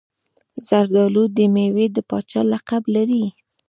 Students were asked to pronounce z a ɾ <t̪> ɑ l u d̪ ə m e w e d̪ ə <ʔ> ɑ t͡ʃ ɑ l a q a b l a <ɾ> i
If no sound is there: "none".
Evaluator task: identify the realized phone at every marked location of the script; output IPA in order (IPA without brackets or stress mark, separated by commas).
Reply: d̪, p, ɾ